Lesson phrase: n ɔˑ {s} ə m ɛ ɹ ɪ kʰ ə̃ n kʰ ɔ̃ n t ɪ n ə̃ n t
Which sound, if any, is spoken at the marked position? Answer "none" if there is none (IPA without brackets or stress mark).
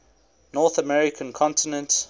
θ